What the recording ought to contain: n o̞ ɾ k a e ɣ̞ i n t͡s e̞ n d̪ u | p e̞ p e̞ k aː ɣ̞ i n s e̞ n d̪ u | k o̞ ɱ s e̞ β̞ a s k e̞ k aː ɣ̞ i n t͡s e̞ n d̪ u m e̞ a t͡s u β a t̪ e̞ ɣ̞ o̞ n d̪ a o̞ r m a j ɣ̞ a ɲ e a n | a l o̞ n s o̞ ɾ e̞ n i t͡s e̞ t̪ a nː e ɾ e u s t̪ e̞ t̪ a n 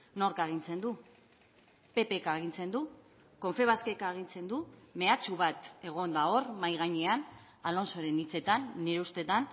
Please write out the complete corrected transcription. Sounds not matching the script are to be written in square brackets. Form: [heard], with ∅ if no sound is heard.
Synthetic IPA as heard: n o̞ ɾ k a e ɣ̞ i n t͡s e̞ n d̪ u | p e̞ p e̞ k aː ɣ̞ i n [t͡s] e̞ n d̪ u | k o̞ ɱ [f] e̞ β̞ a s k e̞ k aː ɣ̞ i n t͡s e̞ n d̪ u m e̞ a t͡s u β a t̪ e̞ ɣ̞ o̞ n d̪ a o̞ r m a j ɣ̞ a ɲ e a n | a l o̞ n s o̞ ɾ e̞ n i t͡s e̞ t̪ a nː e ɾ e u s t̪ e̞ t̪ a n

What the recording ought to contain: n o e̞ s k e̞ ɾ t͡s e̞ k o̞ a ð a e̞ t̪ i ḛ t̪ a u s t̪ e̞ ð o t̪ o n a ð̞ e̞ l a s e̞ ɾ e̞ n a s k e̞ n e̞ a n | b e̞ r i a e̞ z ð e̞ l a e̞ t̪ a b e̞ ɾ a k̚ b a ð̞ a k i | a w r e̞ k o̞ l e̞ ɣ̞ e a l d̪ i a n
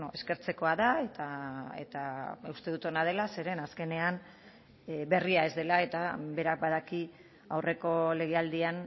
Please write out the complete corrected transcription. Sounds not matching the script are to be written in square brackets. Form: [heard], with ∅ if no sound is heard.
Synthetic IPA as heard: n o e̞ s k e̞ ɾ t͡s e̞ k o̞ a ð a e̞ t̪ [a] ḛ t̪ a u s t̪ e̞ ð [u] t̪ o n a ð̞ e̞ l a s e̞ ɾ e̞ n a s k e̞ n e̞ a n | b e̞ r i a e̞ z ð e̞ l a e̞ t̪ a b e̞ ɾ a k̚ b a ð̞ a k i | a w r e̞ k o̞ l e̞ ɣ̞ e a l d̪ i a n

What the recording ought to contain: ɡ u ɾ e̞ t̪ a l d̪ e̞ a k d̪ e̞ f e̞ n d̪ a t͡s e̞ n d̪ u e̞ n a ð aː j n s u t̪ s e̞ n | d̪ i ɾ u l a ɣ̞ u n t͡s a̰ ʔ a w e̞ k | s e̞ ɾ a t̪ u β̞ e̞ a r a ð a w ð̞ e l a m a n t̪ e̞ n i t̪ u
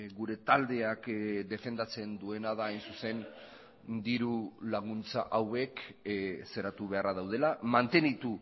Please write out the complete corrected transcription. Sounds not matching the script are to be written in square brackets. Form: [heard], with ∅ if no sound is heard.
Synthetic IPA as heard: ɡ u ɾ e̞ t̪ a l d̪ e̞ a k d̪ e̞ f e̞ n d̪ a t͡s e̞ n d̪ u e̞ n a ð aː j n s u [∅] s e̞ n | d̪ i ɾ u l a ɣ̞ u n t͡s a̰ ʔ a w e̞ k | s e̞ ɾ a t̪ u β̞ e̞ a r a ð a w ð̞ e l a m a n t̪ e̞ n i t̪ u

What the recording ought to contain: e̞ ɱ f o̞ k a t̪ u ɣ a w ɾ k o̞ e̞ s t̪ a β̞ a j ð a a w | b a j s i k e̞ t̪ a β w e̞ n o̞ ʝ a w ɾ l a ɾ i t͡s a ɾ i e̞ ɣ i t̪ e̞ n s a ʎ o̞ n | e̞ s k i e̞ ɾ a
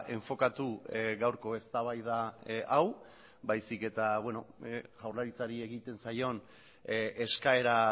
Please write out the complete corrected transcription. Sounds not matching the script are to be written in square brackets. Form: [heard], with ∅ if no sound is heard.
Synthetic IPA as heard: e̞ ɱ f o̞ k a t̪ u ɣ a w ɾ k o̞ e̞ s t̪ a β̞ a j ð a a w | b a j s i k e̞ t̪ a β w e̞ n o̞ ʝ a w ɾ l a ɾ i t͡s a ɾ i e̞ ɣ i t̪ e̞ n s a [j] o̞ n | e̞ s k [a] e̞ ɾ a

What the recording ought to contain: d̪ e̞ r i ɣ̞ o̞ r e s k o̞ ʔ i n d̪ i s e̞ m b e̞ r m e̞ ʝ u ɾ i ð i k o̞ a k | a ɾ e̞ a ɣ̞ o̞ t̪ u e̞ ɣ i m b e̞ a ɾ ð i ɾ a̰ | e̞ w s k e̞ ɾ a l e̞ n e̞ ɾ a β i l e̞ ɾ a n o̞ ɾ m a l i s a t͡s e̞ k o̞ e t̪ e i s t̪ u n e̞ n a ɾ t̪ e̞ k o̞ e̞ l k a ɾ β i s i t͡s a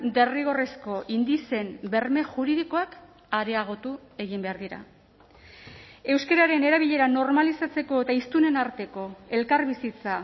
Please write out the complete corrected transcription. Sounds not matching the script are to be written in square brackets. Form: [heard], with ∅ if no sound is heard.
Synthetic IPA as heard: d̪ e̞ r i ɣ̞ o̞ r e s k o̞ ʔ i n d̪ i s e̞ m b e̞ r m e̞ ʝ u ɾ i ð i k o̞ a k | a ɾ e̞ a ɣ̞ o̞ t̪ u e̞ ɣ i m b e̞ a ɾ ð i ɾ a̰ | e̞ w s k e̞ ɾ a [ɾ] e̞ n e̞ ɾ a β i [ʎ] e̞ ɾ a n o̞ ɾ m a l i s a t͡s e̞ k o̞ e t̪ [a] i s t̪ u n e̞ n a ɾ t̪ e̞ k o̞ e̞ l k a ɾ β i s i t͡s a

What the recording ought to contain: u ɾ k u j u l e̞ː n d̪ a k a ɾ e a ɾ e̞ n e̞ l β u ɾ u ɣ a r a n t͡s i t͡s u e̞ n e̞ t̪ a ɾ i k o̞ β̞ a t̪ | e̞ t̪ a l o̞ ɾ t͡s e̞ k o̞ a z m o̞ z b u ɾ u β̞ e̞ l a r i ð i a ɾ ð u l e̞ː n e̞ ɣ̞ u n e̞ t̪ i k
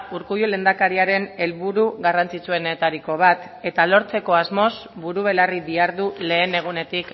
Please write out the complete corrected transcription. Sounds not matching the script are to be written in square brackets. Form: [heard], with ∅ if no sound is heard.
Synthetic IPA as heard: u ɾ k u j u l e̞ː n d̪ a k a ɾ [i] a ɾ e̞ n e̞ l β u ɾ u ɣ a r a n t͡s i t͡s u e̞ n e̞ t̪ a ɾ i k o̞ β̞ a t̪ | e̞ t̪ a l o̞ ɾ t͡s e̞ k o̞ a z m o̞ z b u ɾ u β̞ e̞ l a r i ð i a ɾ ð u l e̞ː n e̞ ɣ̞ u n e̞ t̪ i k

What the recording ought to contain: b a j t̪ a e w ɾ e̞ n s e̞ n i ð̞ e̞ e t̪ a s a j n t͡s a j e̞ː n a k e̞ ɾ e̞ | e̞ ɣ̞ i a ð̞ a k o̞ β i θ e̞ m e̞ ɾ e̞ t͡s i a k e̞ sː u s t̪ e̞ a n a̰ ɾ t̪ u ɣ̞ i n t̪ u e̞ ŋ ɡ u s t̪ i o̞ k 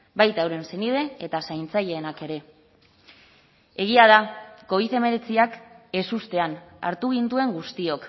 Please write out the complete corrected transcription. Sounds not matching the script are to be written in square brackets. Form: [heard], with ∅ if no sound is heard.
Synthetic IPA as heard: b a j t̪ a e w ɾ e̞ n s e̞ n i ð̞ e̞ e t̪ a s a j n t͡s a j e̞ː n a k e̞ ɾ e̞ | e̞ ɣ̞ i a ð̞ a k o̞ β i θ e̞ m e̞ ɾ e̞ t͡s i a k e̞ [s] u s t̪ e̞ a n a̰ ɾ t̪ u ɣ̞ i n t̪ u e̞ ŋ ɡ u s t̪ i o̞ k

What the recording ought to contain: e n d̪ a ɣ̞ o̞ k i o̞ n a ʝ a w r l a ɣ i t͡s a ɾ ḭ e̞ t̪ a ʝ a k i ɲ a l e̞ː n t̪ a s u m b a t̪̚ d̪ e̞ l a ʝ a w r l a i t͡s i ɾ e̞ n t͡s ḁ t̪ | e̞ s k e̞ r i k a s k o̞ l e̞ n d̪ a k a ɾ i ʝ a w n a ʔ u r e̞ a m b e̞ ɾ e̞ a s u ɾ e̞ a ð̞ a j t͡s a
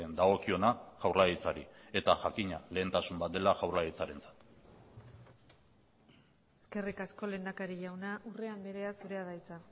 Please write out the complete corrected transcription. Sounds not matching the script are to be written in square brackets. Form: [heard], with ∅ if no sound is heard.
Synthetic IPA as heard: e n d̪ a ɣ̞ o̞ k i o̞ n a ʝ a w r l a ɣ i t͡s a ɾ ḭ e̞ t̪ a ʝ a k i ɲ a l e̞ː n t̪ a s u m b a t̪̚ d̪ e̞ l a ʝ a w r l a i t͡s [a] ɾ e̞ n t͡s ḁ t̪ | e̞ s k e̞ r i k a s k o̞ l e̞ n d̪ a k a ɾ i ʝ a w n a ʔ u r e̞ a m b e̞ ɾ e̞ a s u ɾ e̞ a ð̞ a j t͡s a

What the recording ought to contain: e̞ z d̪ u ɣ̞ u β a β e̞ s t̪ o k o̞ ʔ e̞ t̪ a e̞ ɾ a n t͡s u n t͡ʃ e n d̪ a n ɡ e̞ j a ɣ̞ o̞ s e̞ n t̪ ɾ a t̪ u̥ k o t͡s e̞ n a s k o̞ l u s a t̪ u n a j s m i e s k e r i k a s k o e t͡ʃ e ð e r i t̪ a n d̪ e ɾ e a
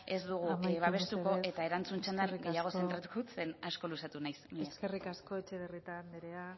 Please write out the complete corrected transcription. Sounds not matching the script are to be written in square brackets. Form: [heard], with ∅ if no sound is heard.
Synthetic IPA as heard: e̞ z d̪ u ɣ̞ u β a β e̞ s t̪ [u] k o̞ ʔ e̞ t̪ a e̞ ɾ a n t͡s u n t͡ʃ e n d̪ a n ɡ e̞ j a ɣ̞ o̞ s e̞ n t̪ ɾ a t̪ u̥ k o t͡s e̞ n a s k o̞ l u s a t̪ u n a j s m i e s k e r i k a s k o e t͡ʃ e ð e r i t̪ a n d̪ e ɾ e a

